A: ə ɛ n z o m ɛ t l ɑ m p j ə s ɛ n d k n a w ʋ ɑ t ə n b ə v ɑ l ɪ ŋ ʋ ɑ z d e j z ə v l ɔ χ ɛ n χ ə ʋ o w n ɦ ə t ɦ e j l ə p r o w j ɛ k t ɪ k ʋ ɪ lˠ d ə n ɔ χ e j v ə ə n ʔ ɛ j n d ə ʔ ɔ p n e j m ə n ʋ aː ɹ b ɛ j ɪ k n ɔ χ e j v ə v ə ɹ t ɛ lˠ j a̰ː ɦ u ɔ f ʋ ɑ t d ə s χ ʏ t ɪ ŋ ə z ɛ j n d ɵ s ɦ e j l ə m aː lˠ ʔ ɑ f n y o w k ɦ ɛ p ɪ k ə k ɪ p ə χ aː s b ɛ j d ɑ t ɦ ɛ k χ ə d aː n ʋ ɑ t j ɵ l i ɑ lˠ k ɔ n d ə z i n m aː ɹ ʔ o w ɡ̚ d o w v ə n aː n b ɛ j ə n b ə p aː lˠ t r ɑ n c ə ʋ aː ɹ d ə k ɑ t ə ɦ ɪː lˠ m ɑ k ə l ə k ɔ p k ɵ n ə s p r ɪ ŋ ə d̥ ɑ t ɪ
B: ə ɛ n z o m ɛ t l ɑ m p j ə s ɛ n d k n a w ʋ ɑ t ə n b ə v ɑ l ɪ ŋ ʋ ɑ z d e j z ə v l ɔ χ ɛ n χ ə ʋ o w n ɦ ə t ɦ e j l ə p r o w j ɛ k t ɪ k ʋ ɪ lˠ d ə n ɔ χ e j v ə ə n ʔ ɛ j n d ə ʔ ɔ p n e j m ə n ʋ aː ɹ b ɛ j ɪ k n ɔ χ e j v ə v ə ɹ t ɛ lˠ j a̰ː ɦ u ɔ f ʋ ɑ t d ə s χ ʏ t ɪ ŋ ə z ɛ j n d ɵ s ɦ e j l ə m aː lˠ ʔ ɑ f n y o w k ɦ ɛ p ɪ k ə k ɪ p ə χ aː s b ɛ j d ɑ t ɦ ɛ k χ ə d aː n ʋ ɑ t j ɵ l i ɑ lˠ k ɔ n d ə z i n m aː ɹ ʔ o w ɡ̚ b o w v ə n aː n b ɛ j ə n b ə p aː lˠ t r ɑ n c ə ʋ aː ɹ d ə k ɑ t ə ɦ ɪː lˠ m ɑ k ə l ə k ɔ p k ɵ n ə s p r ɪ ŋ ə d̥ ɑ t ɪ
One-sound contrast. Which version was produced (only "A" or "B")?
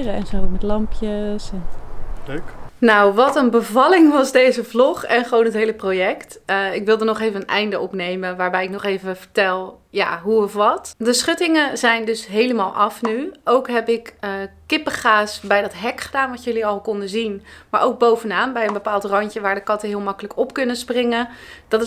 B